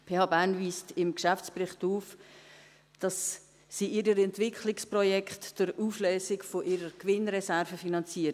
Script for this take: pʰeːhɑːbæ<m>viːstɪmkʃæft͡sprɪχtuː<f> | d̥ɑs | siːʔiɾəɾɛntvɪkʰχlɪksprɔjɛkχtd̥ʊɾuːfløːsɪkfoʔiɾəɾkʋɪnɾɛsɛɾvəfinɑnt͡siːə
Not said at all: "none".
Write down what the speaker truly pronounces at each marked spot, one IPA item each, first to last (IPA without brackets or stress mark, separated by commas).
n, f